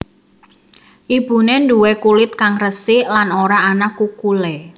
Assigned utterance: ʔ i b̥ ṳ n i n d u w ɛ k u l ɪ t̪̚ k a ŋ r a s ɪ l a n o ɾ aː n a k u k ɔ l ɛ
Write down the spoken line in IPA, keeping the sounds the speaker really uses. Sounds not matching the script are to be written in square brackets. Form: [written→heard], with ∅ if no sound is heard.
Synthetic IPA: ʔ i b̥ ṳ n [i→e] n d u w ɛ k u l ɪ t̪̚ k a ŋ r [a→ə] s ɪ l a n o ɾ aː n a k u k [ɔ→u] l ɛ